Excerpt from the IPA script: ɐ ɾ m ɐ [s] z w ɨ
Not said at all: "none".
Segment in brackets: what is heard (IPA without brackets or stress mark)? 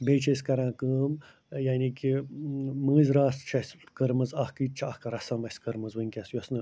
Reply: none